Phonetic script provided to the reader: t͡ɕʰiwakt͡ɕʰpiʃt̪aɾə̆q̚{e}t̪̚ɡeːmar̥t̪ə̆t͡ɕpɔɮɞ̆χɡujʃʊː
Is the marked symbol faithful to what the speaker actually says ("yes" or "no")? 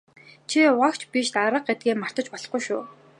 yes